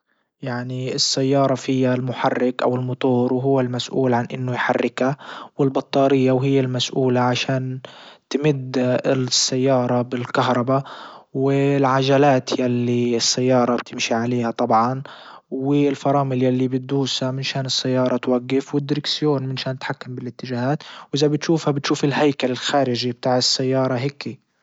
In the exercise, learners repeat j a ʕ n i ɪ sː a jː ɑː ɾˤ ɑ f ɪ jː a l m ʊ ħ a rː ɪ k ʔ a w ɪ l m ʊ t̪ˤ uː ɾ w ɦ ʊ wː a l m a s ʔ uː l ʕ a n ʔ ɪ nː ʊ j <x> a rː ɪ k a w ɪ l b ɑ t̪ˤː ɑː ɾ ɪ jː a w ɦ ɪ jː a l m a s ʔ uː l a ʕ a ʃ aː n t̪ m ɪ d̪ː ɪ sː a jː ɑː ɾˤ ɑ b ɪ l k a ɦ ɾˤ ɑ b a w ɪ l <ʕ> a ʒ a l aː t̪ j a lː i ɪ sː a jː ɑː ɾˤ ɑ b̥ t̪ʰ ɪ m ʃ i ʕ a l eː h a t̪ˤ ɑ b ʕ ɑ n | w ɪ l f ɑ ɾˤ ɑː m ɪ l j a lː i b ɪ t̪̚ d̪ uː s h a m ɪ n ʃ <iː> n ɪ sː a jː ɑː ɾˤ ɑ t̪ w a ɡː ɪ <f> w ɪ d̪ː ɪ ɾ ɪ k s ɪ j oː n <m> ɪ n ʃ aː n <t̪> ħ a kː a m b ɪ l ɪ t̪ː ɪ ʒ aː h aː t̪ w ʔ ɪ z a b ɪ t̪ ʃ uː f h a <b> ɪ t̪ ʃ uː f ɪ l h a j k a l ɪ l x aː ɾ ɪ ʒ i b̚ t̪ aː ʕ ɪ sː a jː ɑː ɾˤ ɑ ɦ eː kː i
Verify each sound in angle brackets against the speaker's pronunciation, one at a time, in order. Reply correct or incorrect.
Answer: incorrect: ħ, correct, incorrect: aː, correct, correct, correct, correct

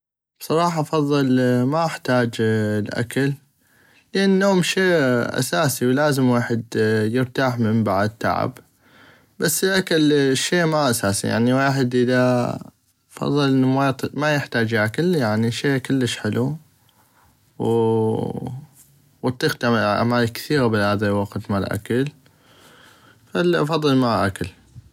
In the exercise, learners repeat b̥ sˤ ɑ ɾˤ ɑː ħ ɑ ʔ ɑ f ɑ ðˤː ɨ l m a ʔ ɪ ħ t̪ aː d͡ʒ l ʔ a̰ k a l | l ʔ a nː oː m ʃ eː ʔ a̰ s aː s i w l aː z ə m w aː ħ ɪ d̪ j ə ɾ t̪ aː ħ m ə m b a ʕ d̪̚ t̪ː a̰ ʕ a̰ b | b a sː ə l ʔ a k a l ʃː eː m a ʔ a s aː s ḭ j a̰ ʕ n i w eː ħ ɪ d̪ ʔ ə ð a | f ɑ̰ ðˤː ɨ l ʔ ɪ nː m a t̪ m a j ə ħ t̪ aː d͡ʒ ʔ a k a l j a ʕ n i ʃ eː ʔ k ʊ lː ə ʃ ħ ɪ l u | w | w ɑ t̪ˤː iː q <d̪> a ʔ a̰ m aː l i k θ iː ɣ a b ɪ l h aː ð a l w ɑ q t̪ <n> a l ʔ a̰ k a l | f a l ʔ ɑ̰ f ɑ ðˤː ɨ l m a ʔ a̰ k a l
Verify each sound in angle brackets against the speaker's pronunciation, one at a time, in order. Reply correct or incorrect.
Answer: incorrect: t̪, incorrect: m

